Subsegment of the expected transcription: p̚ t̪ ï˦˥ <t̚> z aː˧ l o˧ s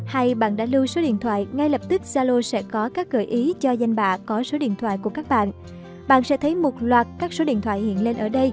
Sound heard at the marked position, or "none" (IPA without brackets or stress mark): k̚